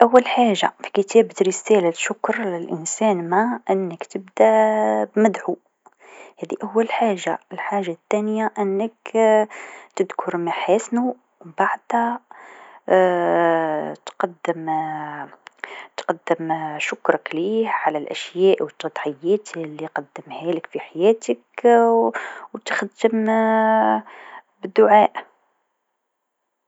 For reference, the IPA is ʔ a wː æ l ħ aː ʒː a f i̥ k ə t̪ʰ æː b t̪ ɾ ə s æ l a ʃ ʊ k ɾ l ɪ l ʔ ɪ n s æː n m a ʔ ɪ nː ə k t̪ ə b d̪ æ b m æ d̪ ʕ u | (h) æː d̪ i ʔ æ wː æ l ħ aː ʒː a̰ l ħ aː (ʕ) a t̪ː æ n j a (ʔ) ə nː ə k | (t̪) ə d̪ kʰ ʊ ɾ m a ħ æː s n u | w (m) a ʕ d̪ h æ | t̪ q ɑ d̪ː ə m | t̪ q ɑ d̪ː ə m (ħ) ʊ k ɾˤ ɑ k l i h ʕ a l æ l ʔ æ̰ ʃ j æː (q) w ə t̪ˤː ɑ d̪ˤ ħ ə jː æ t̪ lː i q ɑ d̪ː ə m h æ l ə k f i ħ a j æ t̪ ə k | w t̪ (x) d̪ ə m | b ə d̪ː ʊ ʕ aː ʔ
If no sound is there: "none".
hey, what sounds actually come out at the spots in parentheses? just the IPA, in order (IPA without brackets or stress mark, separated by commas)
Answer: h, ʒ, ʔ, t̪, b, ʃ, ʔ, x